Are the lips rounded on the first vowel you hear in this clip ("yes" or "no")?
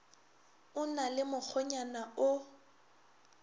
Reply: yes